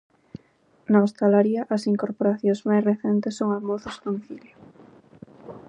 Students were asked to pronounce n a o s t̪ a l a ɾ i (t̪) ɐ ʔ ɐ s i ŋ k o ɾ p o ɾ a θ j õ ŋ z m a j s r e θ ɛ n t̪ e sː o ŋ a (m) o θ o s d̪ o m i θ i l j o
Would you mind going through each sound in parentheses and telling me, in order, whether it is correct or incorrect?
incorrect, correct

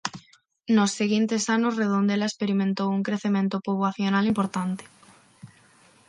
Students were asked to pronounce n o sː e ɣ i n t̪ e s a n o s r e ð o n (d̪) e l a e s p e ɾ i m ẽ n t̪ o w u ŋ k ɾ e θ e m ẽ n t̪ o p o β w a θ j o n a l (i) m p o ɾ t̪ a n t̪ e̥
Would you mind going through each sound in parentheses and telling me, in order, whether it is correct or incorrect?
correct, correct

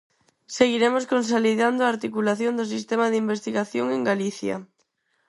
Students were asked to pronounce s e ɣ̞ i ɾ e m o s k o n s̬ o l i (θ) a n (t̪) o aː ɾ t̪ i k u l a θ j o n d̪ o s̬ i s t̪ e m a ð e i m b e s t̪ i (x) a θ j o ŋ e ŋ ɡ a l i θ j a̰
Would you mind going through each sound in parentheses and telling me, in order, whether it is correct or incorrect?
incorrect, incorrect, incorrect

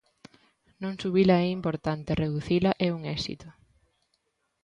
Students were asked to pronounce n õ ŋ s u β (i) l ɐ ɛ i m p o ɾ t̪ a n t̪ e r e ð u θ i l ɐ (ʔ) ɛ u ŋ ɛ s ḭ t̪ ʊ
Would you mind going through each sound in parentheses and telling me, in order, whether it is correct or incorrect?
correct, correct

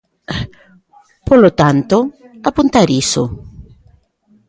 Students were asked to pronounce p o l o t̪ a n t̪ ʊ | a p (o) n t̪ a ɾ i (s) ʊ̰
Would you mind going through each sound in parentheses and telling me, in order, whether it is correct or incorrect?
incorrect, correct

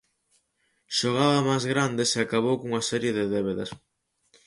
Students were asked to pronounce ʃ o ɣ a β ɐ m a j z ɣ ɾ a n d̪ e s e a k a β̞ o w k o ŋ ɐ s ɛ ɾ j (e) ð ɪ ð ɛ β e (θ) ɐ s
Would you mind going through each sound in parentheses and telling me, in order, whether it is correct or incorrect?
correct, incorrect

